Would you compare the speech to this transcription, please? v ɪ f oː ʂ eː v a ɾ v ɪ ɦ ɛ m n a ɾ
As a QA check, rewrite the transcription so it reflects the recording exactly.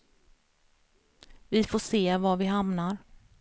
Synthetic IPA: v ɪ f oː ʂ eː v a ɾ v ɪ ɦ a m n a ɾ